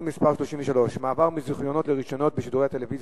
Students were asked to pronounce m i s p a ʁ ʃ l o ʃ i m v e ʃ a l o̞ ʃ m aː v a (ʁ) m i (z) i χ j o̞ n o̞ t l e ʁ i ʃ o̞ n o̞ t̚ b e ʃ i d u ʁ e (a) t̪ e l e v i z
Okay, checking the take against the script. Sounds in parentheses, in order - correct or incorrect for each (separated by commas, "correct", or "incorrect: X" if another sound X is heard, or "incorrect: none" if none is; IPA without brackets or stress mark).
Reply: correct, correct, correct